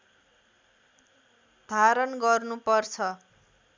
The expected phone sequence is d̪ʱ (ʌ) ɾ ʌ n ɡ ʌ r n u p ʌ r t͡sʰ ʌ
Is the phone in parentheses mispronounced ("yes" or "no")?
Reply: yes